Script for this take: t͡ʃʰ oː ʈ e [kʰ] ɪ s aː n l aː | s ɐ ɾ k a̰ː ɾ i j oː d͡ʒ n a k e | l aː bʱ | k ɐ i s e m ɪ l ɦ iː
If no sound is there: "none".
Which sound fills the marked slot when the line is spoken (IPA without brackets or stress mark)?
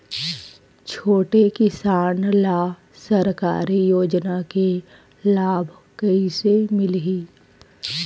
k